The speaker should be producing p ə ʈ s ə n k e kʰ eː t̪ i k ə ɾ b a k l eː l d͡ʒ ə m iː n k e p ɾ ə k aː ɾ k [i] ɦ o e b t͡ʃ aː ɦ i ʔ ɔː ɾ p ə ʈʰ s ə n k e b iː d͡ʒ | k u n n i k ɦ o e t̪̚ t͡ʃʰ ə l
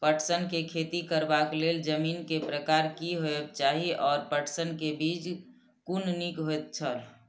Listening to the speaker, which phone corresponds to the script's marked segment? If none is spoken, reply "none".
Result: i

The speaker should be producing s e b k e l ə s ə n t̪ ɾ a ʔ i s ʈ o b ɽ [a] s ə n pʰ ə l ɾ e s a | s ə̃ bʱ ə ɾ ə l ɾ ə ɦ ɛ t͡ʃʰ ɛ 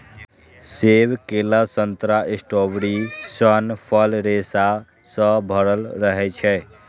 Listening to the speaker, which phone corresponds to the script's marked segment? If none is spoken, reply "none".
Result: i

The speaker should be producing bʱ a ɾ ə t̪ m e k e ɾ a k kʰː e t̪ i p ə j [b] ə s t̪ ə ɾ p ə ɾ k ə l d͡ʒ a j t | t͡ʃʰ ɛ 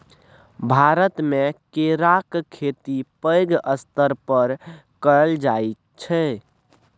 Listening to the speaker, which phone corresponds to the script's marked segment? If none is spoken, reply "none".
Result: ɡ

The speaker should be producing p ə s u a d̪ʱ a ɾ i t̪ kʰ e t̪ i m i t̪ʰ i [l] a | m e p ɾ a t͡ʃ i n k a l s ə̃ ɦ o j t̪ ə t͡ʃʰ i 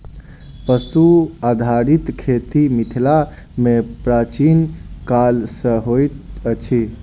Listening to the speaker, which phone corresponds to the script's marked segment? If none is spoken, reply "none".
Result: l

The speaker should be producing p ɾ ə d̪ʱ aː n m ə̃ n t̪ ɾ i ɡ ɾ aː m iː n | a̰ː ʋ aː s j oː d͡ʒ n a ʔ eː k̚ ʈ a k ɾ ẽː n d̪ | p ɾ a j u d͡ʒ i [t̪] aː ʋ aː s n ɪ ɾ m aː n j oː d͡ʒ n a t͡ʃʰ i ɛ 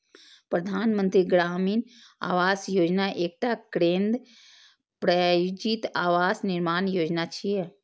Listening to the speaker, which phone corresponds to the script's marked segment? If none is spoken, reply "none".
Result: t̪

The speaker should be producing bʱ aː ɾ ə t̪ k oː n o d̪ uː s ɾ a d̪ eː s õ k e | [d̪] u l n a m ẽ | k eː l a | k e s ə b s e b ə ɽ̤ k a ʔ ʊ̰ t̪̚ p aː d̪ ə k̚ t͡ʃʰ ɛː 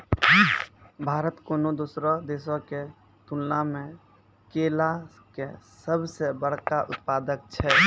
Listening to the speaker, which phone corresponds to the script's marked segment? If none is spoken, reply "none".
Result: t̪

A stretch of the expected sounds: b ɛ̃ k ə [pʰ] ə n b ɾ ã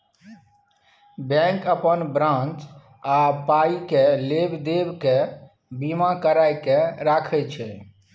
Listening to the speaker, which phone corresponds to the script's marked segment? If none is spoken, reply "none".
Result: p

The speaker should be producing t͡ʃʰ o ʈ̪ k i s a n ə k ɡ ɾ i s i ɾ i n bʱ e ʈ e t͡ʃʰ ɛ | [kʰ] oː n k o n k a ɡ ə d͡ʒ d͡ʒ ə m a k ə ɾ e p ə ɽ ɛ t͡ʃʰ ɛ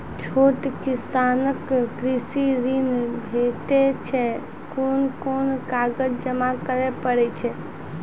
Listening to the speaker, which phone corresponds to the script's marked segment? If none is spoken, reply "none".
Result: k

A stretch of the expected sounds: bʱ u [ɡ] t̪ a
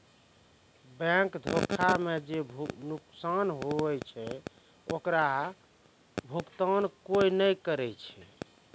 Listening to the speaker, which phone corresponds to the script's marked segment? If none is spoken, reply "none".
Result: k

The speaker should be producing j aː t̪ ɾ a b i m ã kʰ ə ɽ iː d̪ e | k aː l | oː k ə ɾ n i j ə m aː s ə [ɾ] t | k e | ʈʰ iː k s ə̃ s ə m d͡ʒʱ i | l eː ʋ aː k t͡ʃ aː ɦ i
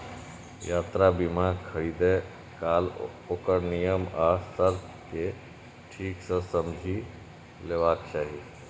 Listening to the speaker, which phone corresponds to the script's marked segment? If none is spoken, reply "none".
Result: ɾ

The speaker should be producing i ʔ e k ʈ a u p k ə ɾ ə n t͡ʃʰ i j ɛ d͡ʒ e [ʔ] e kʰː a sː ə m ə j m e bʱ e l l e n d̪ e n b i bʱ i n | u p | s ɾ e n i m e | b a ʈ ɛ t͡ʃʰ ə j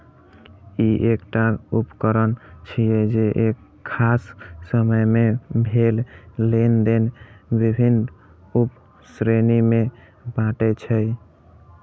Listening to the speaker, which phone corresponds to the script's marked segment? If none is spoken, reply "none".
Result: ʔ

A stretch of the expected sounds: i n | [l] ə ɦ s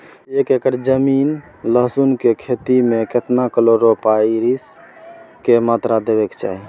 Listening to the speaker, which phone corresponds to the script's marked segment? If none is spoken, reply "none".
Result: l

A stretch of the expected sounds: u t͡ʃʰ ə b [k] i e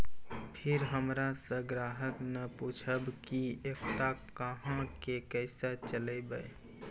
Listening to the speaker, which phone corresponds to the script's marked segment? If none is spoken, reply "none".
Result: k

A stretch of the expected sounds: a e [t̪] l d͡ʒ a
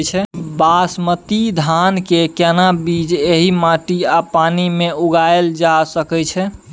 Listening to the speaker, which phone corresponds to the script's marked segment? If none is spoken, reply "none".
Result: none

